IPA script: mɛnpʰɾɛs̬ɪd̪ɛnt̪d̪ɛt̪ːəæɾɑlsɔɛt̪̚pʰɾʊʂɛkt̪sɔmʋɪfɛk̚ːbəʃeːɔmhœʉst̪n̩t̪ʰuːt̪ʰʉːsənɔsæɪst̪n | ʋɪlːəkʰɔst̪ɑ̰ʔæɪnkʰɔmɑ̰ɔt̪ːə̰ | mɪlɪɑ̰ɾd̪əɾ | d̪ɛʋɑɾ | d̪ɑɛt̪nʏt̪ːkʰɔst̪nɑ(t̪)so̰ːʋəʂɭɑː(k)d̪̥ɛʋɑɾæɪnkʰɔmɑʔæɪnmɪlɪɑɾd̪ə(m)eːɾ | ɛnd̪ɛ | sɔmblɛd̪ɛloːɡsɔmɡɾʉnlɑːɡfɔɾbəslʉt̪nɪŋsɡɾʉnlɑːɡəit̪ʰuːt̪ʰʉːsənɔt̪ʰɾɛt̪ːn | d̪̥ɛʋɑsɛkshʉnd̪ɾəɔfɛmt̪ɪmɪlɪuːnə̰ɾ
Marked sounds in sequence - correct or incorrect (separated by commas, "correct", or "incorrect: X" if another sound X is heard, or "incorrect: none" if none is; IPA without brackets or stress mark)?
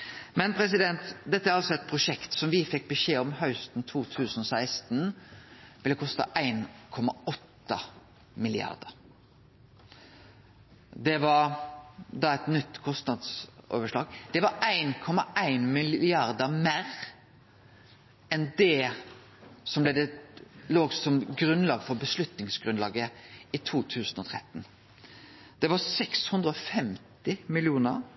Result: incorrect: d̪, incorrect: ɡ, correct